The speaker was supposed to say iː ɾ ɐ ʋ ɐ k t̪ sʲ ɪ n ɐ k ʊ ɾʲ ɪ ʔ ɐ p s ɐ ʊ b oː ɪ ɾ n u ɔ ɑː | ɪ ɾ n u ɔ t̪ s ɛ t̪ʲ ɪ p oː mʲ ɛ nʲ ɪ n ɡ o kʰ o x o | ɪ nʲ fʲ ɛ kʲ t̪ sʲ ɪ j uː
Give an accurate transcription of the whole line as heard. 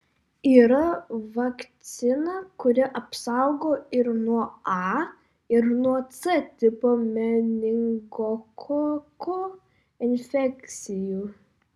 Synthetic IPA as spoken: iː ɾ ɐ ʋ ɐ k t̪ sʲ ɪ n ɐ k ʊ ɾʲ ɪ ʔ ɐ p s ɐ ʊ ɡ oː ɪ ɾ n u ɔ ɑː | ɪ ɾ n u ɔ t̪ s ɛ t̪ʲ ɪ p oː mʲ ɛ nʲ ɪ ŋ ɡ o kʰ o k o | ɪ nʲ fʲ ɛ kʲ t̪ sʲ ɪ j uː